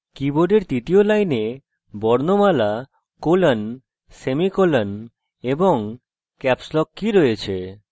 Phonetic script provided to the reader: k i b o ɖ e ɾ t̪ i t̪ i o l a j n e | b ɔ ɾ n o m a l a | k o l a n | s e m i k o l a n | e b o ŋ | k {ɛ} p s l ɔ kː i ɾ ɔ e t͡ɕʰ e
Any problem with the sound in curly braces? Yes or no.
no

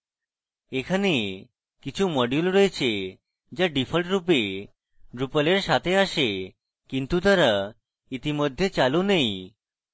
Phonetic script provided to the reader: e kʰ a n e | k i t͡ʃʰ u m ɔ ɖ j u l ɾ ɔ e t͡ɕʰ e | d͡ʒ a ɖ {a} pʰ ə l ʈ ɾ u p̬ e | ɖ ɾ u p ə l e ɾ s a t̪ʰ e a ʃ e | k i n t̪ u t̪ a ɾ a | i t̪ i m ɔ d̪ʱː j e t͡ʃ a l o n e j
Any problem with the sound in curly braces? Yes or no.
yes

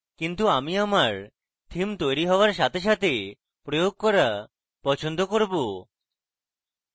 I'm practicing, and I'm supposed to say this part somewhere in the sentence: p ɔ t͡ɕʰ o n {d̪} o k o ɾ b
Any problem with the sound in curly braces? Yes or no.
no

